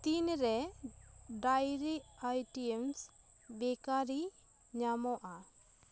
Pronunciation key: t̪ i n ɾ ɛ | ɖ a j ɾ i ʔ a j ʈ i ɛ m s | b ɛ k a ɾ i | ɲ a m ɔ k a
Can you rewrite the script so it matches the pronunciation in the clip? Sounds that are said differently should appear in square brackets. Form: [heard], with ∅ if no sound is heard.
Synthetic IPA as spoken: t̪ i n ɾ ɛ | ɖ a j ɾ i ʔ a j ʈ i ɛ m s | b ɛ k a ɾ i | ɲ a m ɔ [ʔ] a